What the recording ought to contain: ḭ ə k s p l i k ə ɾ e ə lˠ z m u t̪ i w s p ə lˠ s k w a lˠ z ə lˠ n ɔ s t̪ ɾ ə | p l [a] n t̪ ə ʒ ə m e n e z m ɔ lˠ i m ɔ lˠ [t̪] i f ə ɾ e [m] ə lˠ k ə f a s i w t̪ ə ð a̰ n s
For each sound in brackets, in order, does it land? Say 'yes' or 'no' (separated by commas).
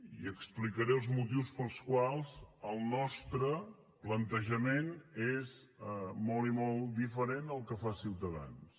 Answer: no, no, no